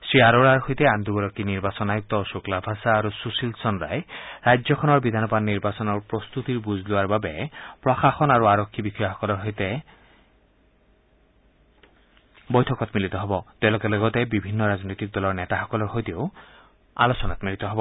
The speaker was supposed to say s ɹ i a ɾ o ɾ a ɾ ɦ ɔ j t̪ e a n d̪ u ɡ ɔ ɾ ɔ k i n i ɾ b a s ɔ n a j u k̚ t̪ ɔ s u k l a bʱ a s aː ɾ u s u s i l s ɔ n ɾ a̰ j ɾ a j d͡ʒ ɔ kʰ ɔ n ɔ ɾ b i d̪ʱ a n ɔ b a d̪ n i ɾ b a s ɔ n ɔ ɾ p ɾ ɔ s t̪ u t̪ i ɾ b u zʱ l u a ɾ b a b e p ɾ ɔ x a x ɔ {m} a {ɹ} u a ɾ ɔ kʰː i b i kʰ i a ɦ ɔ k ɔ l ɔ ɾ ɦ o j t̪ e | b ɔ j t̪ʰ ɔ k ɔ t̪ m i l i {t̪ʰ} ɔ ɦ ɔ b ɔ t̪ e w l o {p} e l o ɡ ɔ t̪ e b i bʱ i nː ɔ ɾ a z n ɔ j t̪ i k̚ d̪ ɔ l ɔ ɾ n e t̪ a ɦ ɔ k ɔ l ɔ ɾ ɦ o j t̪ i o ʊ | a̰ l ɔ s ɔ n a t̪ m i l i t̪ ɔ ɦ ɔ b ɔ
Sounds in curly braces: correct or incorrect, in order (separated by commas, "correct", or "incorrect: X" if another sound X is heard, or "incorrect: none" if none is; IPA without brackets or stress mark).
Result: incorrect: n, incorrect: ɾ, incorrect: t̪, incorrect: k